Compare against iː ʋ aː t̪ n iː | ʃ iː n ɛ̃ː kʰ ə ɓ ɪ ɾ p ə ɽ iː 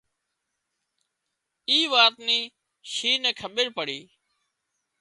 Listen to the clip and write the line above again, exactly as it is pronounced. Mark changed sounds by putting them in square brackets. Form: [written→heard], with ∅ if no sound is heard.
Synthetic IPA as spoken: iː ʋ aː t̪ n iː | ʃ iː n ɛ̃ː kʰ ə ɓ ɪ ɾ p ə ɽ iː